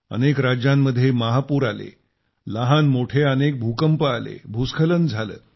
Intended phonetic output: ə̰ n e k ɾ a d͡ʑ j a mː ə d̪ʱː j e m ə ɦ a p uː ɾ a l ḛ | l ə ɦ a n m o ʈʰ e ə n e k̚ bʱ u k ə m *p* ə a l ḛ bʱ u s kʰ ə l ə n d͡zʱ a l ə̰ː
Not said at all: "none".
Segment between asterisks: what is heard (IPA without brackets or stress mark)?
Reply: p